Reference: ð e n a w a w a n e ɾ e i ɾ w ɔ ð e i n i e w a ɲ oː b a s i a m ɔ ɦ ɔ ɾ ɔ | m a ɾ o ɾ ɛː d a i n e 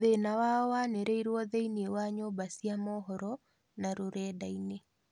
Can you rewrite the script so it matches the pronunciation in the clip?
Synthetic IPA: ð e n a w a w a n e ɾ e i ɾ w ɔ ð e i n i e w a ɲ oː b a s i a m ɔ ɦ ɔ ɾ ɔ | n a ɾ o ɾ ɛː d a i n e